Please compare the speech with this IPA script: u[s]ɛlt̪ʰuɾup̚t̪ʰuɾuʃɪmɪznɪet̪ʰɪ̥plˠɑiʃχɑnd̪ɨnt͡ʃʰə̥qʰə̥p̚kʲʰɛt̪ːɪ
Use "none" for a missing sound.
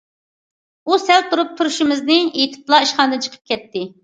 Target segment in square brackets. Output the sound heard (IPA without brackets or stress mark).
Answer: s